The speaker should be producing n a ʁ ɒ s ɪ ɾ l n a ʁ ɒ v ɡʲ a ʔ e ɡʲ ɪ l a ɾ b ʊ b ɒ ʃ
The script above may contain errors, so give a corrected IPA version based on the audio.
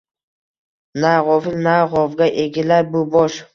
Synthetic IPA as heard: n a ʁ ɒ f ɪ l n a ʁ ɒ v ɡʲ a ʔ e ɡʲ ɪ l a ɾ b ʊ b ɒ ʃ